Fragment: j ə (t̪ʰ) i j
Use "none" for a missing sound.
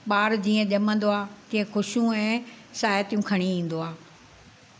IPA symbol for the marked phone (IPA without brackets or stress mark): t̪